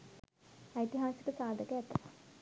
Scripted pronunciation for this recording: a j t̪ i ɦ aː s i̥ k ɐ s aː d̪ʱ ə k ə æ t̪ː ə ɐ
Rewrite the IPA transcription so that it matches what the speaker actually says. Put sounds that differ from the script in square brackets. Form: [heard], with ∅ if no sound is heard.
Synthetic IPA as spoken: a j t̪ i ɦ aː s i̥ k [ə] s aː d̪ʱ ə k ə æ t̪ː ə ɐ